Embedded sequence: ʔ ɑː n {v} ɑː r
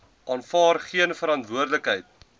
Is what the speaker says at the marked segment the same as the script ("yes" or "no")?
no